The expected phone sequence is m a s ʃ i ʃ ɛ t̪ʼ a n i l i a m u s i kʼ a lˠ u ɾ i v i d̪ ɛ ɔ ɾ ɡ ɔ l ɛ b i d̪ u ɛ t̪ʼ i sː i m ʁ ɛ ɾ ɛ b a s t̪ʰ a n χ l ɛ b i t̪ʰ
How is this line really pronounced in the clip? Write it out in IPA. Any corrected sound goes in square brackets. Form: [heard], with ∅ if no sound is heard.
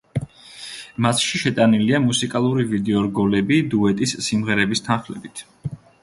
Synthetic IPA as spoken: m a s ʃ i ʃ ɛ t̪ʼ a n i l i a m u s i kʼ a lˠ u ɾ i v i d̪ ɛ ɔ ɾ ɡ ɔ l ɛ b i d̪ u ɛ t̪ʼ i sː i m ʁ ɛ ɾ ɛ b [i] s t̪ʰ a n χ l ɛ b i t̪ʰ